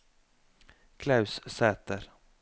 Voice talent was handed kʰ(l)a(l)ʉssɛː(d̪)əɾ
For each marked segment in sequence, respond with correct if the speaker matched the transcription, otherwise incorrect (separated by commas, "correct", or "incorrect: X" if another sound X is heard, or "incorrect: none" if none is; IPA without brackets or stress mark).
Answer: correct, incorrect: none, incorrect: t̪